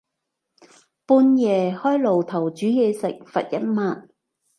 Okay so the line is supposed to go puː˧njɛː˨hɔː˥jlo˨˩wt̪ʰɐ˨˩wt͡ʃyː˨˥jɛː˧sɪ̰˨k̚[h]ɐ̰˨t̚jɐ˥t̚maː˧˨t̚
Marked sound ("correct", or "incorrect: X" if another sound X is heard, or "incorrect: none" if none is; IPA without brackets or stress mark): incorrect: f